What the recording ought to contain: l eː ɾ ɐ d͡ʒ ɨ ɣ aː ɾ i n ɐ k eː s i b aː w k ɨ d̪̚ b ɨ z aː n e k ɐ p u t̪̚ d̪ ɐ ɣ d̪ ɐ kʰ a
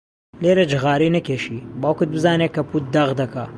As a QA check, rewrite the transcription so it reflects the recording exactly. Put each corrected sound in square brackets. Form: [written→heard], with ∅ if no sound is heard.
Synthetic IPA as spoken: l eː ɾ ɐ d͡ʒ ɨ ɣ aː ɾ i n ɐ k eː [s→ʃ] i b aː w k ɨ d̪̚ b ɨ z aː n e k ɐ p u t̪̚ d̪ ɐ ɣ d̪ ɐ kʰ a